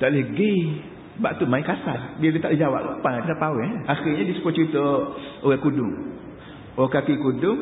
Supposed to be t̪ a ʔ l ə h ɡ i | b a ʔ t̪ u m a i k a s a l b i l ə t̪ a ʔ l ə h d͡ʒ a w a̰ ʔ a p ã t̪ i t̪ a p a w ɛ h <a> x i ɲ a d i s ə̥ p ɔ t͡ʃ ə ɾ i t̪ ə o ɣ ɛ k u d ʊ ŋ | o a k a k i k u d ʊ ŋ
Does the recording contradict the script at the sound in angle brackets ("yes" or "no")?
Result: no